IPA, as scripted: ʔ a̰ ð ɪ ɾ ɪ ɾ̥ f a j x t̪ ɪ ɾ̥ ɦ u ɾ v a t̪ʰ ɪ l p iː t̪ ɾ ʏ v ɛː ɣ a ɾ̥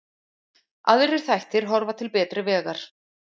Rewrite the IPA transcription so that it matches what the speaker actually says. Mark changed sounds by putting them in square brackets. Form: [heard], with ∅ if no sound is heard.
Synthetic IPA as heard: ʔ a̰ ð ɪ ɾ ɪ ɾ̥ [θ] a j [h] t̪ ɪ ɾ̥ ɦ [ɔ] ɾ v a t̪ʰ ɪ l p [ɛː] t̪ ɾ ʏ v ɛː ɣ a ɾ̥